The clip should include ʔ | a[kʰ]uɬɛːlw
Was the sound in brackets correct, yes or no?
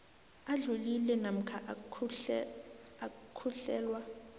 yes